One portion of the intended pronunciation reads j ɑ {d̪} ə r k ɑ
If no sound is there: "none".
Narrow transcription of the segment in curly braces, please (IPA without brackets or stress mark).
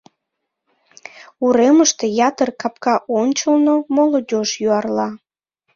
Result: t̪